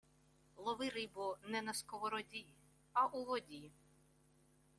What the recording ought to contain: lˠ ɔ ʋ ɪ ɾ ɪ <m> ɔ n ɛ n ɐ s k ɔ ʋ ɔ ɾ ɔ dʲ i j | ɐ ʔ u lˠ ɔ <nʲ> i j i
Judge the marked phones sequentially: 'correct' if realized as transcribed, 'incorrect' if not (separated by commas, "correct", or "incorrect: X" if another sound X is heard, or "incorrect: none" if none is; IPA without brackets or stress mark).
incorrect: b, incorrect: dʲ